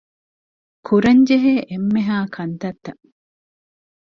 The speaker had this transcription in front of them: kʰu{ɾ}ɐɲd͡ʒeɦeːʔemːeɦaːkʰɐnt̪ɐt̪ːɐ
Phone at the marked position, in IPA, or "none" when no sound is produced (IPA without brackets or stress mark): ɾ